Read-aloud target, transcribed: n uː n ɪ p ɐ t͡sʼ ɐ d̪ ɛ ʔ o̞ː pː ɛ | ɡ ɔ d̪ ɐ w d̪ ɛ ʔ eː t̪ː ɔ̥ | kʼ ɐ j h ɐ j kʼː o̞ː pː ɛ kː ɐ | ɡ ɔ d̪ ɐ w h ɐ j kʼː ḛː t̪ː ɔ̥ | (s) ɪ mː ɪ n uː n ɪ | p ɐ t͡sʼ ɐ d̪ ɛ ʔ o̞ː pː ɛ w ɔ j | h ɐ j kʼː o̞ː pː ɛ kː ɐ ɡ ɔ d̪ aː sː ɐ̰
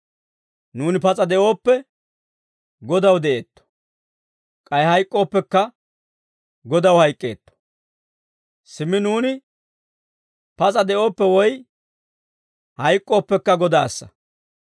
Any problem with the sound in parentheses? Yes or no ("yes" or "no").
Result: no